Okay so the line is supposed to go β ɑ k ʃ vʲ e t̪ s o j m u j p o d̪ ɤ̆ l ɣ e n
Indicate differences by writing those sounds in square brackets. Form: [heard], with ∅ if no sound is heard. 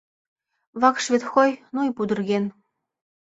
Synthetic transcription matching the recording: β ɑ k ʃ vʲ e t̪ [x] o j [n] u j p [u] d̪ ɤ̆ [r] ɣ e n

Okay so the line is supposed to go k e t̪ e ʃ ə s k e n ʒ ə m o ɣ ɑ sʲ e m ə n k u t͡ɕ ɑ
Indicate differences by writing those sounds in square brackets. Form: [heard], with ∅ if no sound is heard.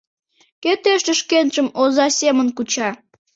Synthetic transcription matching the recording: k e t̪ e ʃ ə [ʃ] k e n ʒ ə m o [z] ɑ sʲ e m ə n k u t͡ɕ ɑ

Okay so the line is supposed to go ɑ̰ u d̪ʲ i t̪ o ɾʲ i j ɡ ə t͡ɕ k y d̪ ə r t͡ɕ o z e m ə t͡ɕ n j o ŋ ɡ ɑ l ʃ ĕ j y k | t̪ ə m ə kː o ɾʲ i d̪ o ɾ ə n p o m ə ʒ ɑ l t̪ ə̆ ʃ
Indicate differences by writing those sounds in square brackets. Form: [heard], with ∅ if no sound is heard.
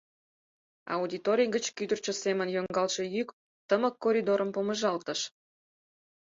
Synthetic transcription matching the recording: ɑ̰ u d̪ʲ i t̪ o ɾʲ i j ɡ ə t͡ɕ k y d̪ ə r t͡ɕ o [s] e m ə [∅] n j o ŋ ɡ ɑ l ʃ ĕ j y k | t̪ ə m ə kː o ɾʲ i d̪ o ɾ ə [m] p o m ə ʒ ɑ l t̪ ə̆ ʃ

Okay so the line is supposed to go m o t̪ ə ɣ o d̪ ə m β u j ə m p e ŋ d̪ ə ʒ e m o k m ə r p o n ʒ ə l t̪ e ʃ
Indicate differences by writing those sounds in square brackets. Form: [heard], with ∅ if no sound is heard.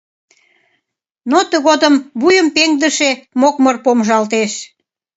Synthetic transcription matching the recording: [n] o t̪ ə ɣ o d̪ ə m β u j ə m p e ŋ d̪ ə [ʃ] e m o k m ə r p o [m] ʒ [ɑ] l t̪ e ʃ

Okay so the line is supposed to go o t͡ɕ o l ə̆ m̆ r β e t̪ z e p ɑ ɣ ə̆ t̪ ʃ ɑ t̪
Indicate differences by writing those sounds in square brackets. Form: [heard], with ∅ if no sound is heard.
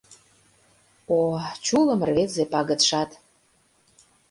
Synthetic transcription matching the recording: o t͡ɕ [u] l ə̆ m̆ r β e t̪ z e p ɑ ɣ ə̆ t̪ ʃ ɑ t̪

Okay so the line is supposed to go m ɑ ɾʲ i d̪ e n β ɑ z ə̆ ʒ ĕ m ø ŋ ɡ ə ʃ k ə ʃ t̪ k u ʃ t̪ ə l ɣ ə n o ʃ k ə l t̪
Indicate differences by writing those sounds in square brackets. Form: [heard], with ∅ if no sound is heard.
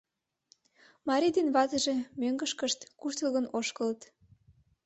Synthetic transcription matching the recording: m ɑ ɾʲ i d̪ e n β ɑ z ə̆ ʒ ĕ m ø ŋ ɡ ə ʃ k ə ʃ t̪ k u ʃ t̪ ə l ɣ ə n o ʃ k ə l t̪

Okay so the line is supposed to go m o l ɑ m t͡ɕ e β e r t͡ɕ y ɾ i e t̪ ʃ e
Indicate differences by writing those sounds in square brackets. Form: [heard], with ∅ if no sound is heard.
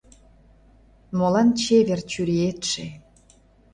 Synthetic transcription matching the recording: m o l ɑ [n] t͡ɕ e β e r t͡ɕ y ɾ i e t̪ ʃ e

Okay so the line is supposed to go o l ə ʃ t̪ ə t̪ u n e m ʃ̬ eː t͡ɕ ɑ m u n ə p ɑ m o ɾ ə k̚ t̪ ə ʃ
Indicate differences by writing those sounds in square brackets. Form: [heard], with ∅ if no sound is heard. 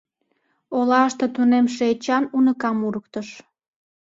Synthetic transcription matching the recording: o l [ɑ] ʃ t̪ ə t̪ u n e m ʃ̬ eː t͡ɕ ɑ [n] u n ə [k] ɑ m [u] ɾ ə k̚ t̪ ə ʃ

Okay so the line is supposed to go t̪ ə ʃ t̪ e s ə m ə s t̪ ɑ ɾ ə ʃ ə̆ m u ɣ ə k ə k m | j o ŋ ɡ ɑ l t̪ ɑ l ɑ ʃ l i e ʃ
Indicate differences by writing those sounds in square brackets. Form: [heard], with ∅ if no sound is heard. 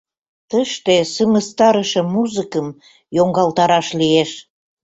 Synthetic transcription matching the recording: t̪ ə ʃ t̪ e s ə m ə s t̪ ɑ ɾ ə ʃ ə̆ m u [z] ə k ə [∅] m | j o ŋ ɡ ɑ l t̪ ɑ [ɾ] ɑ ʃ l i e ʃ

